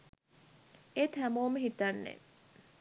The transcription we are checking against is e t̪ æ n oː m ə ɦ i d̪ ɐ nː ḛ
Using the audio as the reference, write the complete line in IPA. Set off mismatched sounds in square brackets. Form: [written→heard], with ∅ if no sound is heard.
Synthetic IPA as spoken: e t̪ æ [n→m] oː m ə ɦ i [d̪→t̪] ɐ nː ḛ